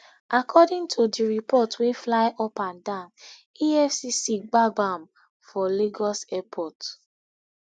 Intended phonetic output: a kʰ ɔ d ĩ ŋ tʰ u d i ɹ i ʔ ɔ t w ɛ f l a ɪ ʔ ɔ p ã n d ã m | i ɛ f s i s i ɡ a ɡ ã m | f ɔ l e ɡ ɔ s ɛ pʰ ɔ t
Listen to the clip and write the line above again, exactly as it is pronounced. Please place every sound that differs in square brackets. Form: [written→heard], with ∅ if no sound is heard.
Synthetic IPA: a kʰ ɔ d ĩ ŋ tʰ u d i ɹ i [ʔ→p] ɔ t w [ɛ→e] f l a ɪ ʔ ɔ p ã n d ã [m→n] | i ɛ f s i s i [ɡ→ɡ͡b] a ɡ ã m | f ɔ l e ɡ ɔ s ɛ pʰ ɔ t